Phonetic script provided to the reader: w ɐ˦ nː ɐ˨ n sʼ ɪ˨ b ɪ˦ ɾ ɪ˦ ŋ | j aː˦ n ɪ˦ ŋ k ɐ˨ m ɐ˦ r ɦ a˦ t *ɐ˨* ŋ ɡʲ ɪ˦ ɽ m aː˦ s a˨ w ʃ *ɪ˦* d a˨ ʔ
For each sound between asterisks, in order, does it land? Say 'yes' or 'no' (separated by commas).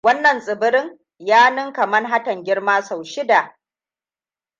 yes, yes